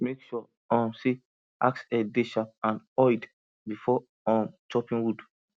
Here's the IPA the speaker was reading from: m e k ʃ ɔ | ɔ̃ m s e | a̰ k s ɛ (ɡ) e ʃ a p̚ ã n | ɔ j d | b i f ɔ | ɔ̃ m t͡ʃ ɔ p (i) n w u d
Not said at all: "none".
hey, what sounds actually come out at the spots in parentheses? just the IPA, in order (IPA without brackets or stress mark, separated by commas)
d, ĩ